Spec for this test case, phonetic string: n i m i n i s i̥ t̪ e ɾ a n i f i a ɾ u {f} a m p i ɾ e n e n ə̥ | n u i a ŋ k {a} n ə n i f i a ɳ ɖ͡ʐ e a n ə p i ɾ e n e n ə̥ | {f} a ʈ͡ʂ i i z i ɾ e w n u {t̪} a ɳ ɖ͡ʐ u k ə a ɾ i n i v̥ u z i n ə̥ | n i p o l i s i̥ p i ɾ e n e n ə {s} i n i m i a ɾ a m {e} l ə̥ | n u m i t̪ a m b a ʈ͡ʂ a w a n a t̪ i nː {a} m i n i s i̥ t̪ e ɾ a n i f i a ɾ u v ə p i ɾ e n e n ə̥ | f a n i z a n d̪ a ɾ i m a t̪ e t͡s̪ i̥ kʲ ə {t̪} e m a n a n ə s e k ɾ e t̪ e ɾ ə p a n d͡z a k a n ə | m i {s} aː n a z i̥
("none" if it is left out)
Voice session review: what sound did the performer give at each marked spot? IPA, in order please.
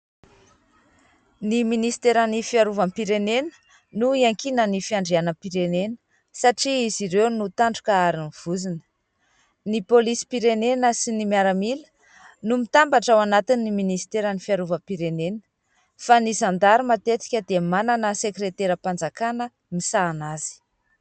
v, i, s, t̪, s, i, i, d̪, s

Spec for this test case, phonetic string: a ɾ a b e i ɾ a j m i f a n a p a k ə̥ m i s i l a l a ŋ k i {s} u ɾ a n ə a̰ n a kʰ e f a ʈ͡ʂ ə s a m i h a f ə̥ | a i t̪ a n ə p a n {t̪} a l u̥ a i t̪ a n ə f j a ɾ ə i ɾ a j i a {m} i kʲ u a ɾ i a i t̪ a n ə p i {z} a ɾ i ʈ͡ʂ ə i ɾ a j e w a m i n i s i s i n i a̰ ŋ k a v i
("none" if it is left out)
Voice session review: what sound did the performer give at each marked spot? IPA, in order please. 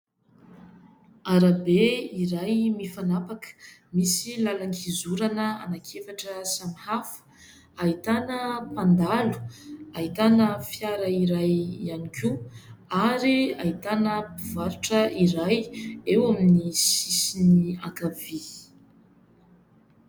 z, d̪, n, v

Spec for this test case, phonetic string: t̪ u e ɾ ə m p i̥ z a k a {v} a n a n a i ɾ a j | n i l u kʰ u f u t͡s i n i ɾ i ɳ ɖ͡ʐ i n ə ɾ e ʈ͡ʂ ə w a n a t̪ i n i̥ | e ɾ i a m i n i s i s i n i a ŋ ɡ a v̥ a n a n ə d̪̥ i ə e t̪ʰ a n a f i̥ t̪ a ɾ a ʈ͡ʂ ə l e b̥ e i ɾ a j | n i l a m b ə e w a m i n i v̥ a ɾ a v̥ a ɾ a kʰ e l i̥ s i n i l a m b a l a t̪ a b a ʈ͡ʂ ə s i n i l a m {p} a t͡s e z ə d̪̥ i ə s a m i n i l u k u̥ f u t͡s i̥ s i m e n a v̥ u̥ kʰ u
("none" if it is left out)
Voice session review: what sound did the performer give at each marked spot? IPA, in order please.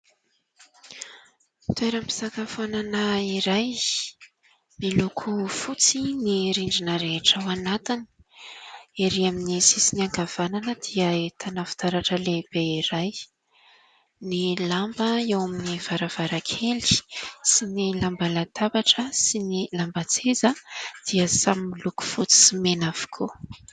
f, b

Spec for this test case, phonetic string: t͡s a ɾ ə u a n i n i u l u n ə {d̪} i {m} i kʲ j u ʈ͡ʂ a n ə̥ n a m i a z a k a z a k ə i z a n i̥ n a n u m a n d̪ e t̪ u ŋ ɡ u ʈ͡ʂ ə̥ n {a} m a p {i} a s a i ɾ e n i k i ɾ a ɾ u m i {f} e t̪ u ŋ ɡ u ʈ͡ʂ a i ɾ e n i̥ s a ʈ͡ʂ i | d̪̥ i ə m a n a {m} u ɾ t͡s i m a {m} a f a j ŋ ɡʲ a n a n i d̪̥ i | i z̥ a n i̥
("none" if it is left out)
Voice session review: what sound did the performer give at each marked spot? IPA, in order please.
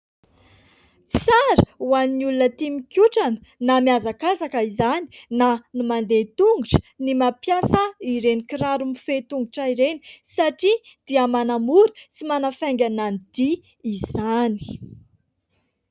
t̪, m, i, j, f, m, n

